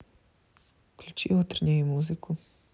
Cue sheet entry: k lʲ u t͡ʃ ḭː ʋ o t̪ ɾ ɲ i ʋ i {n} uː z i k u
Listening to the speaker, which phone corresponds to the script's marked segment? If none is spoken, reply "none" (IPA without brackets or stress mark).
m